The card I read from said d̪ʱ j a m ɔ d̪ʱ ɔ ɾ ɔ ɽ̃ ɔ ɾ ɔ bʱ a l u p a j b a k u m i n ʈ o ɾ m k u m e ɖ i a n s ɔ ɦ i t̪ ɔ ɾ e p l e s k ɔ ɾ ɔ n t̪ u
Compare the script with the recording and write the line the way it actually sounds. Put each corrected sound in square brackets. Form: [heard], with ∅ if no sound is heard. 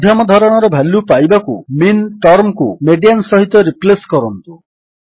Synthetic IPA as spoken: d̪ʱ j a m ɔ d̪ʱ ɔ ɾ ɔ ɽ̃ ɔ ɾ ɔ bʱ a l u p a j b a k u m i n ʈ [ɔ] ɾ m k u m e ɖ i a n s ɔ ɦ i t̪ ɔ ɾ [i] p l e s k ɔ ɾ ɔ n t̪ u